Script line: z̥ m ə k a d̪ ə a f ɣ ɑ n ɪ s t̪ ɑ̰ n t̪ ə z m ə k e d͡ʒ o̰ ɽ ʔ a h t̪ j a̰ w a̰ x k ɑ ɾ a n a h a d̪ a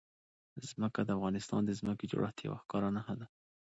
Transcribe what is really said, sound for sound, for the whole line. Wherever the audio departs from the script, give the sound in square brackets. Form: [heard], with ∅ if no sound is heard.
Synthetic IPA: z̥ m ə k a d̪ ə a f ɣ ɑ n ɪ s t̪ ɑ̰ n [d̪] ə z m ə k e d͡ʒ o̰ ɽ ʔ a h t̪ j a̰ w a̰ x k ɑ ɾ a n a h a d̪ a